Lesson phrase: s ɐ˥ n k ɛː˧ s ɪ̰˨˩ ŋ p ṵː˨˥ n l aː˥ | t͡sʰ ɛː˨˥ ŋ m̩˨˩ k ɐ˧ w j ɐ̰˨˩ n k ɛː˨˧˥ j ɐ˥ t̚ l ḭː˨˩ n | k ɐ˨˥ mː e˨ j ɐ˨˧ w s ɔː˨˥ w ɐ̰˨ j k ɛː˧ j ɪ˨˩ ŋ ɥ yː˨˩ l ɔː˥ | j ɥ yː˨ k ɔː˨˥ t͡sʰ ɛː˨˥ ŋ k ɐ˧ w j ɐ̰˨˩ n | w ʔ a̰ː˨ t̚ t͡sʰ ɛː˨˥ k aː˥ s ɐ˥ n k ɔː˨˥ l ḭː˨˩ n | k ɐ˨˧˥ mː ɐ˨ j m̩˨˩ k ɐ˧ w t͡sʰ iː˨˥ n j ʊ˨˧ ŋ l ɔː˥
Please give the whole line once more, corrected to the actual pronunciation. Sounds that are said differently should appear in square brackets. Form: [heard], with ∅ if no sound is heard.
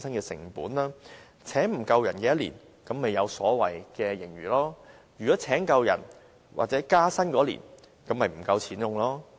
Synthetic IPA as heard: s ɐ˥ n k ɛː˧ s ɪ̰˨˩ ŋ p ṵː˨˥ n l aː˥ | t͡sʰ ɛː˨˥ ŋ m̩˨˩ k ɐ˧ w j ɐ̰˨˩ n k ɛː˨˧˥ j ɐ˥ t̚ l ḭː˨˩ n | k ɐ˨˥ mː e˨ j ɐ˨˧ w s ɔː˨˥ w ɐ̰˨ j k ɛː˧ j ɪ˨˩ ŋ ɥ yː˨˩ l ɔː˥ | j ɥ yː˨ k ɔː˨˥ t͡sʰ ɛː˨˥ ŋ k ɐ˧ w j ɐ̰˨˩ n | w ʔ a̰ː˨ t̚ [t͡s] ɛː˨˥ k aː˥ s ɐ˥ n k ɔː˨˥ l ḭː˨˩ n | k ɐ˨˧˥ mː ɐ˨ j m̩˨˩ k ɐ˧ w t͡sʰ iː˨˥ n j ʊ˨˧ ŋ l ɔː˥